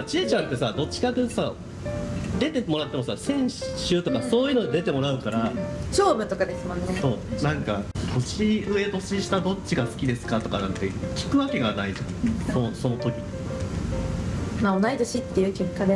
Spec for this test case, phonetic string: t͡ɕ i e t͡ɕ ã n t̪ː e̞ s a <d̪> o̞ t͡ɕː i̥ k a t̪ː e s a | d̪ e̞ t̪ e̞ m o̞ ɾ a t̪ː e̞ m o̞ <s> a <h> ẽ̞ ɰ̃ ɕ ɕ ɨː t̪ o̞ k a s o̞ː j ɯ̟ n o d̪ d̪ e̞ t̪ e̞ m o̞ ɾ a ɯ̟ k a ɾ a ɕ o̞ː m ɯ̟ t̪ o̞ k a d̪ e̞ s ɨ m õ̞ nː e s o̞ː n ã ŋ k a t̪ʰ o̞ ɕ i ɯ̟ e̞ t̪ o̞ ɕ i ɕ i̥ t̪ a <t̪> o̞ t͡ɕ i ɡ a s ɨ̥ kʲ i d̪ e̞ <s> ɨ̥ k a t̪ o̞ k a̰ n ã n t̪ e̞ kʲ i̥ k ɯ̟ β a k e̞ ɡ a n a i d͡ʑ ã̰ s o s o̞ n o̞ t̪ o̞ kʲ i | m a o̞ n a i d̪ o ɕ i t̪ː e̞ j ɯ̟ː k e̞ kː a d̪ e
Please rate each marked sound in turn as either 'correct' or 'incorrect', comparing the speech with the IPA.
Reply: correct, correct, incorrect: s, incorrect: d̪, correct

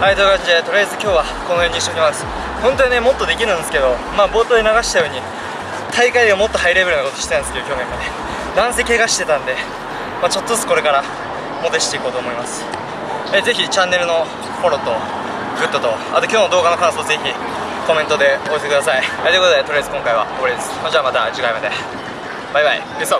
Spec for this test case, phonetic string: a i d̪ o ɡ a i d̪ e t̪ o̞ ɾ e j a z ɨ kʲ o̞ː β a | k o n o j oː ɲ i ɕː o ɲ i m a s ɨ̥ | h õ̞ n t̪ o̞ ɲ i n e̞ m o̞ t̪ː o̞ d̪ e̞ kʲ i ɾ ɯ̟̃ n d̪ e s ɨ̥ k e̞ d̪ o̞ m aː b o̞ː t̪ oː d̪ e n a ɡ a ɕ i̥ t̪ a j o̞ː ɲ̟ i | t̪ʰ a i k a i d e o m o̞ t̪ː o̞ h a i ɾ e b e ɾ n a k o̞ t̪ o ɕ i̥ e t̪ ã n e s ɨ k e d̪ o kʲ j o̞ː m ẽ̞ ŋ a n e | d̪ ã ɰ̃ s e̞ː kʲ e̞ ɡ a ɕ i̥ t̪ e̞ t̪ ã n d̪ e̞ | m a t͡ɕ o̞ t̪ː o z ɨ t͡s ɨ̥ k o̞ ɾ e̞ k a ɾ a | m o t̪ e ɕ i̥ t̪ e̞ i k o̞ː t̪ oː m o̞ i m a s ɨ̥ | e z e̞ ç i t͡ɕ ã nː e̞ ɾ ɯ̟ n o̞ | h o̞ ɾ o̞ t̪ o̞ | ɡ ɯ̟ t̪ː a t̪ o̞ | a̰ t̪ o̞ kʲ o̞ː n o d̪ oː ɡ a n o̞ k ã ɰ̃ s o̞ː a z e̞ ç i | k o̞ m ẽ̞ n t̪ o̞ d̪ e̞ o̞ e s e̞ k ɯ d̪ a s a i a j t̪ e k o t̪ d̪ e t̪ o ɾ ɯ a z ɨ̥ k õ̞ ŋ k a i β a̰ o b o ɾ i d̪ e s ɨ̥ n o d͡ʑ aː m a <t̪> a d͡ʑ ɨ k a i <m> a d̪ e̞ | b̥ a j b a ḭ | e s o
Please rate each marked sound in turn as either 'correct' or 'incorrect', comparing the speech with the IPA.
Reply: correct, correct

